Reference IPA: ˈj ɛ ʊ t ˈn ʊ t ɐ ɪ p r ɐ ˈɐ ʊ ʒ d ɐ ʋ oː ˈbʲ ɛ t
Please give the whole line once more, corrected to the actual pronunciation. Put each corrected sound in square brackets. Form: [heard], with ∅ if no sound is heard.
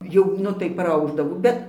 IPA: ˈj ɛ ʊ [∅] ˈn ʊ t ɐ ɪ p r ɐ ˈɐ ʊ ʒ d ɐ ʋ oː ˈbʲ ɛ t

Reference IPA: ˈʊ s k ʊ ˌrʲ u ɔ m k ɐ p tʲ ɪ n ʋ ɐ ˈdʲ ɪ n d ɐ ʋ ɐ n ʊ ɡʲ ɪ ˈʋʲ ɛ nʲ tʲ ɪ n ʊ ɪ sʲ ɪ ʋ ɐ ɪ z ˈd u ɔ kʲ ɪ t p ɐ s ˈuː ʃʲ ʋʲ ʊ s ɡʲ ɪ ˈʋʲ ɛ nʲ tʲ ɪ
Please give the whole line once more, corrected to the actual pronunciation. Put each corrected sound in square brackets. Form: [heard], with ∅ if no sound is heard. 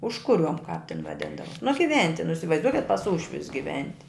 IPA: ˈʊ [ʃ] k ʊ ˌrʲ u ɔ m k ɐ p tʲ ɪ n ʋ ɐ ˈdʲ ɪ n d ɐ ʋ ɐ n ʊ ɡʲ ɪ ˈʋʲ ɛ nʲ tʲ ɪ n ʊ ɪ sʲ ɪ ʋ ɐ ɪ z ˈd u ɔ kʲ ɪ t p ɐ s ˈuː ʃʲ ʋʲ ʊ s ɡʲ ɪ ˈʋʲ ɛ nʲ tʲ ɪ

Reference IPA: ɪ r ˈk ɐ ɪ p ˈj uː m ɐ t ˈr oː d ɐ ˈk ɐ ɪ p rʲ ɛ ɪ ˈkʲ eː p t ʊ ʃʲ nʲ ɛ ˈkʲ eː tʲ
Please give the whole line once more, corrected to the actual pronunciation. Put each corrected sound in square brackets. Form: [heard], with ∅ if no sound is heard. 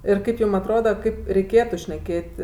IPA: ɪ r ˈk ɐ ɪ p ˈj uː m ɐ t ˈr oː d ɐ ˈk ɐ ɪ p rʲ ɛ ɪ ˈkʲ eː [∅] t ʊ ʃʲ nʲ ɛ ˈkʲ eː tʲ

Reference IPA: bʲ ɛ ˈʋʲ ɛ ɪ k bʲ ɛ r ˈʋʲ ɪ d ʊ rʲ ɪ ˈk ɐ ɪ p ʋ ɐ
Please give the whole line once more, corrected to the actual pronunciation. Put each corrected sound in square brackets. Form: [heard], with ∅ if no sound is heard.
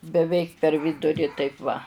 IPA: bʲ ɛ ˈʋʲ ɛ ɪ k [pʲ] ɛ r ˈʋʲ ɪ d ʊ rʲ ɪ [ˈt] ɐ ɪ p ʋ ɐ

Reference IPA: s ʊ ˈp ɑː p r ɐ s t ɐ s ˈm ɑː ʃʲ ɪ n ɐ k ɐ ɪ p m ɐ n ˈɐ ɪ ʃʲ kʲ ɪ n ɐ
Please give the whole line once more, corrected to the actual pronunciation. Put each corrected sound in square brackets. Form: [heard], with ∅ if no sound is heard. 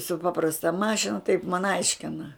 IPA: s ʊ ˈp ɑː p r ɐ s t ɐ [∅] ˈm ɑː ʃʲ ɪ n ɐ [t] ɐ ɪ p m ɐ n ˈɐ ɪ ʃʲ kʲ ɪ n ɐ

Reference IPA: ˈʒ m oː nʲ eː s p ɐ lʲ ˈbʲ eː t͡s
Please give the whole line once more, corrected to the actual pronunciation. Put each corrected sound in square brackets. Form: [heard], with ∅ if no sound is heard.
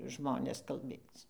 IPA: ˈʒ m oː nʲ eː s [k] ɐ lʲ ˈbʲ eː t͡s

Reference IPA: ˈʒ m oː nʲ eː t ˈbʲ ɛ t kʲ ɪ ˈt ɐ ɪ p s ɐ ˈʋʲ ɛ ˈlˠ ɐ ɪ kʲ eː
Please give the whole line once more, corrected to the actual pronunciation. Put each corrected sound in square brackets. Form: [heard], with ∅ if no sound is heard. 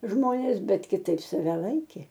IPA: ˈʒ m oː nʲ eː [s] ˈbʲ ɛ t kʲ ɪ ˈt ɐ ɪ p s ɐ ˈʋʲ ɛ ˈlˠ ɐ ɪ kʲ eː

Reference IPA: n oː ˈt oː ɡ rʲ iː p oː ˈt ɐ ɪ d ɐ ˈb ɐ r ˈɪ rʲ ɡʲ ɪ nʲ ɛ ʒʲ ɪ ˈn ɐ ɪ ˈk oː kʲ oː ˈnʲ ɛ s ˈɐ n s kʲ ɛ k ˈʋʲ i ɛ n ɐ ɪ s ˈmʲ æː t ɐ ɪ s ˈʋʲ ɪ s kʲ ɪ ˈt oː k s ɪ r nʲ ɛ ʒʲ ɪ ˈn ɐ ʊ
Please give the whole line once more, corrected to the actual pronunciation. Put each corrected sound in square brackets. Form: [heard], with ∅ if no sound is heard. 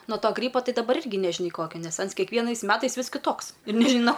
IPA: n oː ˈt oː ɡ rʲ iː p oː ˈt ɐ ɪ d ɐ ˈb ɐ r ˈɪ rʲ ɡʲ ɪ nʲ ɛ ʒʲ ɪ ˈn ɐ ɪ ˈk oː kʲ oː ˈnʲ ɛ s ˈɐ n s kʲ ɛ k ˈʋʲ i ɛ n ɐ ɪ s ˈmʲ æː t ɐ ɪ s ˈʋʲ ɪ s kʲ ɪ ˈt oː k s ɪ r nʲ ɛ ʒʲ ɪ ˈn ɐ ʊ

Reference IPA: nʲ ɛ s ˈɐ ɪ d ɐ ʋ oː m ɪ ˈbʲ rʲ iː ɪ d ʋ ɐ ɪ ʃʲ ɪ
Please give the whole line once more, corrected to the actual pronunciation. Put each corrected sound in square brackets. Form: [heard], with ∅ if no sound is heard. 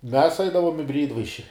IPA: [mʲ] ɛ s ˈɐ ɪ d ɐ ʋ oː m ɪ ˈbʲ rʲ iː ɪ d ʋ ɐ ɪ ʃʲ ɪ

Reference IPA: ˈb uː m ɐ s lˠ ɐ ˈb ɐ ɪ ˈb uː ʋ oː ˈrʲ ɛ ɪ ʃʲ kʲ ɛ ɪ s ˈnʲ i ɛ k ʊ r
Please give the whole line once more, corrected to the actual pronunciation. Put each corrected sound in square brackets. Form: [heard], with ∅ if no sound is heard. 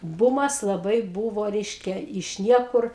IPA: ˈb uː m ɐ s lˠ ɐ ˈb ɐ ɪ ˈb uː ʋ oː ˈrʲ ɛ ɪ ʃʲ kʲ ɛ ɪ [ʃ] ˈnʲ i ɛ k ʊ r

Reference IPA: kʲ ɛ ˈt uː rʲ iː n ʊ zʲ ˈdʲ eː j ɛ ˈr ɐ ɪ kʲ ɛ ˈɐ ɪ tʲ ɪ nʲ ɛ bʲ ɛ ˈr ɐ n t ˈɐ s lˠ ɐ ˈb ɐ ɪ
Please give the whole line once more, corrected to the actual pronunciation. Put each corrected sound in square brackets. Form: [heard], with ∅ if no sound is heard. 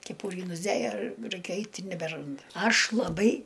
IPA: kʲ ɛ [ˈp] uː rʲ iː n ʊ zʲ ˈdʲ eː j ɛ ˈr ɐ ɪ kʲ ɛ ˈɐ ɪ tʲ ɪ nʲ ɛ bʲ ɛ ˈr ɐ n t ˈɐ [ʃ] lˠ ɐ ˈb ɐ ɪ

